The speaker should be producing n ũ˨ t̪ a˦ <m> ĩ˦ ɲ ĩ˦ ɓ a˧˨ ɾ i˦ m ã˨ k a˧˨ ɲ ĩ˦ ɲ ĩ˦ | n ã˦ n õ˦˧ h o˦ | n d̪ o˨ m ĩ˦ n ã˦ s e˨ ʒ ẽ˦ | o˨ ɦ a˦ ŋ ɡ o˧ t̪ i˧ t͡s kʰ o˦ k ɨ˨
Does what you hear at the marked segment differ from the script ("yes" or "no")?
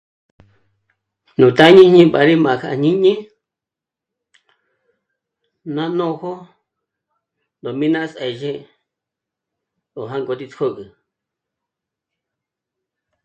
yes